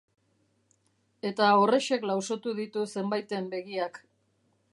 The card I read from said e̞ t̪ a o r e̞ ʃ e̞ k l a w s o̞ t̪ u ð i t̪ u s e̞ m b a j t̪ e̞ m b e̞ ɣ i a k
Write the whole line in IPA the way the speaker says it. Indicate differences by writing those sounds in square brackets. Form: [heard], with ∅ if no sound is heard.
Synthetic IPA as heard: e̞ t̪ a o r e̞ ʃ e̞ k l a w s o̞ t̪ u ð i t̪ u s e̞ m b a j t̪ e̞ m b e̞ ɣ i a k